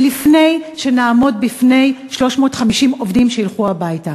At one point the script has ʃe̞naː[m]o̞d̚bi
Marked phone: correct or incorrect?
correct